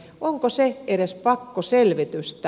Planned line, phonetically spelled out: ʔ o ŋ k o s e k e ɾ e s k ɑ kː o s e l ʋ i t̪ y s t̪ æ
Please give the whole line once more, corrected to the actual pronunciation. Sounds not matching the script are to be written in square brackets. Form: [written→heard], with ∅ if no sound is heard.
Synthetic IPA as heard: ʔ o ŋ k o s e [k→∅] e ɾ e s [k→p] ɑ kː o s e l ʋ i t̪ y s t̪ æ